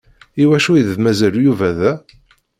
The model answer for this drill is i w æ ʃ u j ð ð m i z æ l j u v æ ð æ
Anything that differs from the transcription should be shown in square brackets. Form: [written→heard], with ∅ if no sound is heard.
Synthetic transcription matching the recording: i w æ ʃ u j ð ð m [i→æ] z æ l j u v æ ð æ